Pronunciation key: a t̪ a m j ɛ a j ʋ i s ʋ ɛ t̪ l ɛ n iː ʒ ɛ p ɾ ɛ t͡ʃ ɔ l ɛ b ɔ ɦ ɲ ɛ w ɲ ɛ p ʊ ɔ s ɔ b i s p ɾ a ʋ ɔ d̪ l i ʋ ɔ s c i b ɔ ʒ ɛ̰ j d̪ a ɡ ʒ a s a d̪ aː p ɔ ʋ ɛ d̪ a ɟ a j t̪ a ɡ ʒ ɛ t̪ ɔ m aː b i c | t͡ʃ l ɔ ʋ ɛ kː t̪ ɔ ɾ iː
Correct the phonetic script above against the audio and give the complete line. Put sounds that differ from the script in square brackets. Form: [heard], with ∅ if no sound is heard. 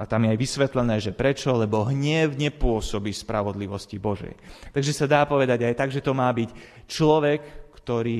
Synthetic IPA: a t̪ a m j ɛ a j ʋ i s ʋ ɛ t̪ l ɛ n [ɛː] ʒ ɛ p ɾ ɛ t͡ʃ ɔ l ɛ b ɔ ɦ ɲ ɛ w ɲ ɛ p ʊ ɔ s ɔ b i s p ɾ a ʋ ɔ d̪ l i ʋ ɔ s c i b ɔ ʒ ɛ̰ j [t̪] a ɡ ʒ [ɛ] s a d̪ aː p ɔ ʋ ɛ d̪ a ɟ a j t̪ a ɡ ʒ ɛ t̪ ɔ m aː b i c | t͡ʃ l ɔ ʋ ɛ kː t̪ ɔ ɾ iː